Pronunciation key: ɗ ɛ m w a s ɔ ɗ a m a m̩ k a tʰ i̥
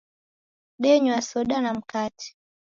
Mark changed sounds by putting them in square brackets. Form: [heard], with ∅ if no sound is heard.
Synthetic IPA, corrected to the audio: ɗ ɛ [ɲ] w a s ɔ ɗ a [n] a m̩ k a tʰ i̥